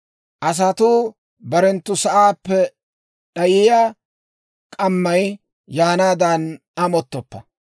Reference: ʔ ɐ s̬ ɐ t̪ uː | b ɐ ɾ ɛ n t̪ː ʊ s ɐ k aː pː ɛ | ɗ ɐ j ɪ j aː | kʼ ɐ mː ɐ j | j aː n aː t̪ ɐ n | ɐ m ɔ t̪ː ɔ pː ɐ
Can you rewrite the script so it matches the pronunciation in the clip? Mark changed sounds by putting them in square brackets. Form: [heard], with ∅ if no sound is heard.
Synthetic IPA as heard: ʔ ɐ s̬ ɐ t̪ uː | b ɐ ɾ ɛ n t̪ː ʊ s ɐ [ʔ] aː pː ɛ | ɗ ɐ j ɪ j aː | kʼ ɐ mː ɐ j | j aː n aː [d̪] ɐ n | ɐ m ɔ t̪ː ɔ pː ɐ